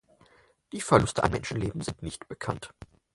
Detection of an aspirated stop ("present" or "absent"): present